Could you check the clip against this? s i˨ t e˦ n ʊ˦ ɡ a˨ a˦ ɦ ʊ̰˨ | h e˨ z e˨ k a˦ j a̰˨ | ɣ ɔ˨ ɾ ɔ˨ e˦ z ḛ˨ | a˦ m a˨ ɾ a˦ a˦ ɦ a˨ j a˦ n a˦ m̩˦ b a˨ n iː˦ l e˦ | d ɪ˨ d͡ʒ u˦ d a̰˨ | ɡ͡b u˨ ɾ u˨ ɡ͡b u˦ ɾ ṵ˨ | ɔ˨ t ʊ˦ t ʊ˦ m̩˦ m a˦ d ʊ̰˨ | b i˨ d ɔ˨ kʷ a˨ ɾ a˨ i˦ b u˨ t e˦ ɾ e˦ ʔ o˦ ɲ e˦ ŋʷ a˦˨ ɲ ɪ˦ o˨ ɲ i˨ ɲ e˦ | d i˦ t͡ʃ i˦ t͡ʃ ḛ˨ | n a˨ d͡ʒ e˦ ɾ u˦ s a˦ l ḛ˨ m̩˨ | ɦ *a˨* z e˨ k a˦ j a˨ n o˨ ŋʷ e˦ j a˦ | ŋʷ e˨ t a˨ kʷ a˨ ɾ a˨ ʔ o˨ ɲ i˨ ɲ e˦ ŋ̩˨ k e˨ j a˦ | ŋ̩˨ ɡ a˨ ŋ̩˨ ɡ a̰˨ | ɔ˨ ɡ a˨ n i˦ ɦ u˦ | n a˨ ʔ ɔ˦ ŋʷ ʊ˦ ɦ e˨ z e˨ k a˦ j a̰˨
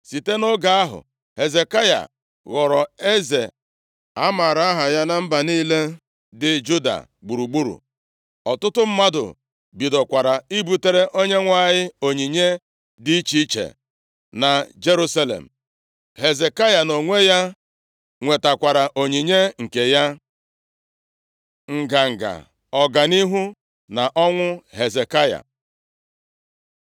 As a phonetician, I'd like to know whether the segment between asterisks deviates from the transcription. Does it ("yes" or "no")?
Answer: yes